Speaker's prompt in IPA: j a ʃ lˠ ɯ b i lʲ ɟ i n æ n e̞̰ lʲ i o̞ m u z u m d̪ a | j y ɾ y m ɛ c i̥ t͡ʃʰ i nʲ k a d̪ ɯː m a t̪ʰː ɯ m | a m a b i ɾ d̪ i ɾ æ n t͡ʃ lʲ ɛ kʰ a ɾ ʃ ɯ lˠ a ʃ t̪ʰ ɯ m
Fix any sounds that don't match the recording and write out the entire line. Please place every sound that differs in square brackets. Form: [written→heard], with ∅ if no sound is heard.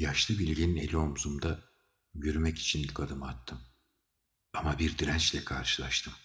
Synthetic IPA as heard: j a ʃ lˠ ɯ b i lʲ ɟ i n [æ→i] n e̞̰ lʲ i o̞ m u z u m d̪ a | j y ɾ y m ɛ c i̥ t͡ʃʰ i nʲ k a d̪ [ɯː→ɯ] m a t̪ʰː ɯ m | a m a b i ɾ d̪ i ɾ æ n t͡ʃ lʲ ɛ kʰ a ɾ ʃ ɯ lˠ a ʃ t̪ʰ ɯ m